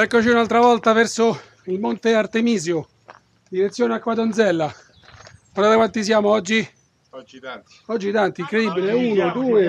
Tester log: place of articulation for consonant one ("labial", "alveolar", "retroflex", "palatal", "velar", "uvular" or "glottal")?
velar